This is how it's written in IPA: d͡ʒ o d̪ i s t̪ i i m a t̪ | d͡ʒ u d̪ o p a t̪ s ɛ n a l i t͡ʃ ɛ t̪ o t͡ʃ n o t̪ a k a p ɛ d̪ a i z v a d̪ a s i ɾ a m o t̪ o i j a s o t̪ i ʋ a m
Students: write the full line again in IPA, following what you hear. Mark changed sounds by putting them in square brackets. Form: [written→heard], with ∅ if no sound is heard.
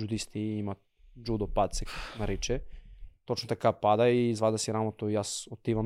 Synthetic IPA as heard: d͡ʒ [o→u] d̪ i s t̪ i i m a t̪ | d͡ʒ u d̪ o p a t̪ s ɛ n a [l→ɾ] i t͡ʃ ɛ t̪ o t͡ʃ n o t̪ a k a p [ɛ→a] d̪ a i z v a d̪ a s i ɾ a m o t̪ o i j a s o t̪ i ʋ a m